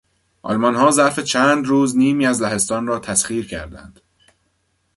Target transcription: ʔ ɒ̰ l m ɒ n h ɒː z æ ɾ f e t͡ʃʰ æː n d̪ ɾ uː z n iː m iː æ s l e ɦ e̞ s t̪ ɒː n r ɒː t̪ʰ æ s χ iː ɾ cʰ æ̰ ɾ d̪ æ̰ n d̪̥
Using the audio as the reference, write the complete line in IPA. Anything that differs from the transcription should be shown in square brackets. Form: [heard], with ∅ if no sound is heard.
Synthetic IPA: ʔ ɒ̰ l m ɒ n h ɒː z æ ɾ f e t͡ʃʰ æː n d̪ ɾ uː z n iː m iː æ [z] l [æ] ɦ e̞ s t̪ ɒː n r ɒː t̪ʰ æ s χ iː ɾ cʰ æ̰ ɾ d̪ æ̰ n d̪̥